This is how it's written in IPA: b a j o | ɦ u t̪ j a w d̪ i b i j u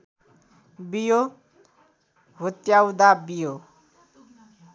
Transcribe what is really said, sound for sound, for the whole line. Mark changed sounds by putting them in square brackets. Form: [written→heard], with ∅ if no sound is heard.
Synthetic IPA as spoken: b [a→i] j o | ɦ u t̪ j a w d̪ [i→a] b i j [u→o]